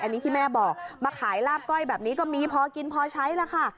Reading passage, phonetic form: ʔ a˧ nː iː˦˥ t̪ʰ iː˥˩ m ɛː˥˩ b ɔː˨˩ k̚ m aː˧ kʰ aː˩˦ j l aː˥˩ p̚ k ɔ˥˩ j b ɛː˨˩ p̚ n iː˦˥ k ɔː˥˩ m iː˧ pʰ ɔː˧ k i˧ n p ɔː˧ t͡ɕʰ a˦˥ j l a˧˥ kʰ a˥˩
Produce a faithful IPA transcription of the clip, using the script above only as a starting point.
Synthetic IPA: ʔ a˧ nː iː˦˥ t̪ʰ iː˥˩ m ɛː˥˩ b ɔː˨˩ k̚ m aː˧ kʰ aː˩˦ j l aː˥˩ p̚ k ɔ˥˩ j b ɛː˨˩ p̚ n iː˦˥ k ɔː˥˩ m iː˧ pʰ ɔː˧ k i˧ n pʰ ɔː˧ t͡ɕʰ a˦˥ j l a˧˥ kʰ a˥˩

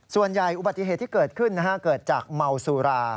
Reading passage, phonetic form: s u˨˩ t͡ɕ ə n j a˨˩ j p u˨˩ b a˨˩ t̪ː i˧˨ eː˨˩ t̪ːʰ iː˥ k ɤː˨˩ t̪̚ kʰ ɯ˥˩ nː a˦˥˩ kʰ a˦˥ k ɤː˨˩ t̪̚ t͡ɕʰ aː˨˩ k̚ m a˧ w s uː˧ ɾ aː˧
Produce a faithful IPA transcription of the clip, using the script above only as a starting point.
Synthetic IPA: s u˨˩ ə n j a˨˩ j ʔ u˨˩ b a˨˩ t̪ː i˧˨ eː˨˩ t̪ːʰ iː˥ k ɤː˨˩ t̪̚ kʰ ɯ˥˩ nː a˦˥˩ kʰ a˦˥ k ɤː˨˩ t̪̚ t͡ɕ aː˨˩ k̚ m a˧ w s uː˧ ɾ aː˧

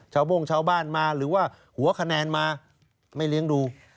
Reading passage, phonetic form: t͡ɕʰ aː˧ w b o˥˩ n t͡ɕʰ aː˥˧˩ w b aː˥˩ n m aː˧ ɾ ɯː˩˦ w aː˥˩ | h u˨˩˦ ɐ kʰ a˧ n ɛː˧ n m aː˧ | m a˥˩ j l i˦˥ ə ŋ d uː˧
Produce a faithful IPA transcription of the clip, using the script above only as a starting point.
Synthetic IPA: t͡ɕʰ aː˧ w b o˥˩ ŋ t͡ɕʰ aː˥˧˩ w b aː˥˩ n m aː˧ ɾ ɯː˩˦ w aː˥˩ | h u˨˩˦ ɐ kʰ a˧ n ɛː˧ n m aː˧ | m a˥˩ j l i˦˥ ə ŋ d uː˧

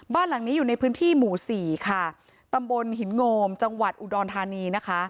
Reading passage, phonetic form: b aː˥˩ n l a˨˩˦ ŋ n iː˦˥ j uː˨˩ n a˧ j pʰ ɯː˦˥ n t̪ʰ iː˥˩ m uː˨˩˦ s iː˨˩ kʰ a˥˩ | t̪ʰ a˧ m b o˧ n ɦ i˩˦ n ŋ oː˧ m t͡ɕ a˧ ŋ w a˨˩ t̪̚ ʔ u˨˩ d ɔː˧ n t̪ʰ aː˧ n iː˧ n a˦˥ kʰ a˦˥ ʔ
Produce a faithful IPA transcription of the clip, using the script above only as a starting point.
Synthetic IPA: b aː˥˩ n l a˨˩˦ ŋ n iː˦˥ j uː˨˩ n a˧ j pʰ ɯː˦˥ n t̪ʰ iː˥˩ m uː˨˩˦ s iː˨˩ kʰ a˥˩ | t̪ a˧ m b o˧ n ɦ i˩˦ n ŋ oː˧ m t͡ɕ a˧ ŋ w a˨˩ t̪̚ ʔ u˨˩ d ɔː˧ n t̪ʰ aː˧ n iː˧ n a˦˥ kʰ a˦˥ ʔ

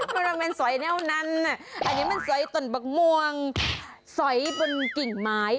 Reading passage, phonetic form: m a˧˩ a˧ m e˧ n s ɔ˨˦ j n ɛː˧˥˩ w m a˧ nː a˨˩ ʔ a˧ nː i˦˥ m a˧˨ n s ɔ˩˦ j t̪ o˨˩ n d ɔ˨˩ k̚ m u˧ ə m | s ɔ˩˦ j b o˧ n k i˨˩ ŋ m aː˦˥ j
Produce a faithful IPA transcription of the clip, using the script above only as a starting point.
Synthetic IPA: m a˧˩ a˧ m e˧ n s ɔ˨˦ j n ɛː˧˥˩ w n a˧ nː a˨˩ ʔ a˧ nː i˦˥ m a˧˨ n s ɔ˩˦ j t̪ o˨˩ n b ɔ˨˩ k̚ m u˧ ə ŋ | s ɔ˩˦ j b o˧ n k i˨˩ ŋ m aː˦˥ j

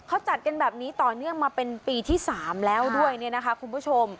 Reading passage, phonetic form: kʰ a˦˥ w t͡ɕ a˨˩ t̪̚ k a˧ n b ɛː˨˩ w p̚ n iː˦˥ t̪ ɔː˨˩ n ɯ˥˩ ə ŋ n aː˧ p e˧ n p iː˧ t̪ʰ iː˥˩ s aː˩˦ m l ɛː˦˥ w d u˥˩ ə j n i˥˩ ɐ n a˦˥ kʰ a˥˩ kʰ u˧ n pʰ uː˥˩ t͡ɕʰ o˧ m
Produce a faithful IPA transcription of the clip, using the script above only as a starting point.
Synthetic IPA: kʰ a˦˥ w t͡ɕ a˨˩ t̪̚ k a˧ n b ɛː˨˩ p̚ n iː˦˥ t̪ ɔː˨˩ n ɯ˥˩ ə ŋ m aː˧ p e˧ n p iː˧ t̪ʰ iː˥˩ s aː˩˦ m l ɛː˦˥ w d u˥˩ ə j n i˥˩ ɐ n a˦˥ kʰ a˦˥ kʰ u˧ n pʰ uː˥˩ t͡ɕʰ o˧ m

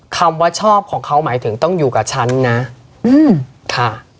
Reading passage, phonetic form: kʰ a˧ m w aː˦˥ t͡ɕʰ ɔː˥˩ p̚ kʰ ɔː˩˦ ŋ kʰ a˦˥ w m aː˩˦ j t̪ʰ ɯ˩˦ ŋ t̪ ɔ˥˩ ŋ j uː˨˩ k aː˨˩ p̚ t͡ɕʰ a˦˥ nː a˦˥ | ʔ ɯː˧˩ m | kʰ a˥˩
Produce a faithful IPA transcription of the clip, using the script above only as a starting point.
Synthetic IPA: kʰ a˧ m w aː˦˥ t͡ɕʰ ɔː˥˩ p̚ kʰ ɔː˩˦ ŋ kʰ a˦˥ w m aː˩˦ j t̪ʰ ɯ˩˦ ŋ t̪ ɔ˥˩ ŋ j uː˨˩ k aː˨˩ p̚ t͡ɕʰ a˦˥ nː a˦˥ | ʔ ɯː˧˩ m | kʰ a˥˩

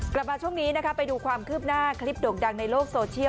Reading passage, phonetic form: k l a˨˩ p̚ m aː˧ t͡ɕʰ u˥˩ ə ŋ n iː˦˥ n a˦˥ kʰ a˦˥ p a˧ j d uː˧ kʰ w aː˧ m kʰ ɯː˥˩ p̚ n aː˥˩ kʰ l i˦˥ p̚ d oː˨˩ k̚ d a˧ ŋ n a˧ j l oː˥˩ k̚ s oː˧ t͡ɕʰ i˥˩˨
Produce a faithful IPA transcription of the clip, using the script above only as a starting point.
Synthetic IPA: k l a˨˩ p̚ m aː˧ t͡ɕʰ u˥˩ ə ŋ n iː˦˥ n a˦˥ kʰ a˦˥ p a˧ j d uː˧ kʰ w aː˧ m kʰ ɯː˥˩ p̚ n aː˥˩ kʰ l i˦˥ p̚ d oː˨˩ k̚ d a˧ ŋ n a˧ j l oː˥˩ k̚ s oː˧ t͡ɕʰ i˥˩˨

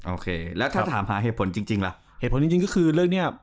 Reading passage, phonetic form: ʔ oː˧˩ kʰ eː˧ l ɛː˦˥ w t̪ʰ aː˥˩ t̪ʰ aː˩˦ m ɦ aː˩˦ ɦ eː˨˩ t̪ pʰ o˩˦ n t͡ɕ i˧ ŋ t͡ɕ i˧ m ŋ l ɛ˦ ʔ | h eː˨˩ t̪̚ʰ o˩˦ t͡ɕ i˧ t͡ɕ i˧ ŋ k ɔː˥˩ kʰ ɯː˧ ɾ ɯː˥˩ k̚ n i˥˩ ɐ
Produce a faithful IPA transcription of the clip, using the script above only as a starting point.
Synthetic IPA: ʔ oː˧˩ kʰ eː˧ l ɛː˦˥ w t̪ʰ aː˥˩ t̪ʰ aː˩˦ m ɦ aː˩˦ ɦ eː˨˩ t̪ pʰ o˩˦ n t͡ɕ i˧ ŋ t͡ɕ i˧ ŋ l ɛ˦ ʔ | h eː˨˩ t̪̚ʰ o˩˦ t͡ɕ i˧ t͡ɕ i˧ ŋ k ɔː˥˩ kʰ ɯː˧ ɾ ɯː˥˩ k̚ n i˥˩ ɐ

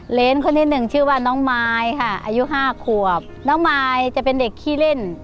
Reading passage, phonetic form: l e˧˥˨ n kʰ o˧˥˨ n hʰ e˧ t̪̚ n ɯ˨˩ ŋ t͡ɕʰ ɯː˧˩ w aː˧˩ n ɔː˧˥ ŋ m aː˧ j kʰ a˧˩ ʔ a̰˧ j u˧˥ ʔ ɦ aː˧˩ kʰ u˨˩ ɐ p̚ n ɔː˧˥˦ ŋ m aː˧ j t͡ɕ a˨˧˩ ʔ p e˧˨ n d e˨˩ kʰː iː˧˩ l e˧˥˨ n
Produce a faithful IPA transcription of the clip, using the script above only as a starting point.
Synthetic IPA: l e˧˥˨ n kʰ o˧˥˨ n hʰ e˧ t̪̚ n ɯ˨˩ ŋ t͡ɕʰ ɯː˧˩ w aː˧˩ n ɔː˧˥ ŋ m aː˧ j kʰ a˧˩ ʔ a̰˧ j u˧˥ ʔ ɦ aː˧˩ kʰ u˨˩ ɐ p̚ n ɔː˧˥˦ ŋ m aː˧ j t͡ɕ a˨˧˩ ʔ p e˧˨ n d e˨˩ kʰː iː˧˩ l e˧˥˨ n

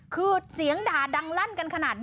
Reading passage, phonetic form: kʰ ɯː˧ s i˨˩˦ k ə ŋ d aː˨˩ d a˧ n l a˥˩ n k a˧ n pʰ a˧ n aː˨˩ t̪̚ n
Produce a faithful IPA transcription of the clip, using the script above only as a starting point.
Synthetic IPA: kʰ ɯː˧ s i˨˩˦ ə ŋ d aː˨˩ d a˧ ŋ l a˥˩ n k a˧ n kʰ a˧ n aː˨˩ t̪̚ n

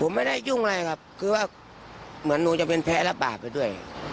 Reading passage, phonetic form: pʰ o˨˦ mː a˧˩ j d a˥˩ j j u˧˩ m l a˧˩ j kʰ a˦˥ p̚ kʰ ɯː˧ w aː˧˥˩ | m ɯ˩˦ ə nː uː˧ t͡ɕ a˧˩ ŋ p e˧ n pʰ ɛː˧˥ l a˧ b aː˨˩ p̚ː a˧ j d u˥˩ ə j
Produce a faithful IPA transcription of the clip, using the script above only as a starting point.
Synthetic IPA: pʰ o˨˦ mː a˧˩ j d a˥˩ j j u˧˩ ŋ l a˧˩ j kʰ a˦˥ p̚ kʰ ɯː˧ w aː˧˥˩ | m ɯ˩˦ ə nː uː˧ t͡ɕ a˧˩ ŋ p e˧ n pʰ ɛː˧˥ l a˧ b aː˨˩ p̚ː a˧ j d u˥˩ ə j

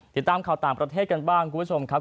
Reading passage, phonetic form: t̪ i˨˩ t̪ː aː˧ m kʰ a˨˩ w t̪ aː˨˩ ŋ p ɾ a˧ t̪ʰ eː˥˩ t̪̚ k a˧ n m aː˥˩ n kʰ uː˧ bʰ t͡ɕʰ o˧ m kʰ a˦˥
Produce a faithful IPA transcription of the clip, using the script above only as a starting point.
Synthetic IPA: t̪ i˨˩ t̪ː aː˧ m kʰ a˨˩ w t̪ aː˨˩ ŋ p ɾ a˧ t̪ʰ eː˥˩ t̪̚ k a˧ n b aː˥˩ ŋ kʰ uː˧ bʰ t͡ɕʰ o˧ m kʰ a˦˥

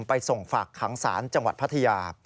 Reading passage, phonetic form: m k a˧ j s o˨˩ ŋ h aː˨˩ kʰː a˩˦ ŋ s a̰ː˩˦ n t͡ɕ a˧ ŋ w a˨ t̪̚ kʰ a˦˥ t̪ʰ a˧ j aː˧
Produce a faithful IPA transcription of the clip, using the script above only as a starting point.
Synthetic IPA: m p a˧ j s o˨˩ ŋ f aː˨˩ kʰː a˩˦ ŋ s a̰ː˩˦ n t͡ɕ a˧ ŋ w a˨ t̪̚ pʰ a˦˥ t̪ʰ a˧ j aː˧

